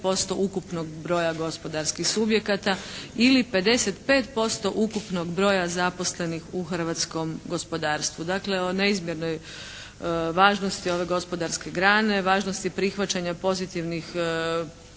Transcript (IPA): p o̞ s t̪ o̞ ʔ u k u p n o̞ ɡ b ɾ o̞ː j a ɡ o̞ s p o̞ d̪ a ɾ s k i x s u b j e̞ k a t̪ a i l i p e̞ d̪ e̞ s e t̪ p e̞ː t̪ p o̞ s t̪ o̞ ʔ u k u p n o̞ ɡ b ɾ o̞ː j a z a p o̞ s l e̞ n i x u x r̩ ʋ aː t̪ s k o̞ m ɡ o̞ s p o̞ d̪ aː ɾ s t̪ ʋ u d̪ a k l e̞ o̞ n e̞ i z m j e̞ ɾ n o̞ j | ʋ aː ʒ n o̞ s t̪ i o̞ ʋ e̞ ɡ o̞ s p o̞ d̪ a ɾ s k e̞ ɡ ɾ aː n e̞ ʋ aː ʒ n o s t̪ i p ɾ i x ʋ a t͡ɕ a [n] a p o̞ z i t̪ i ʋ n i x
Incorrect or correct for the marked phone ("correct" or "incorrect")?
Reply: incorrect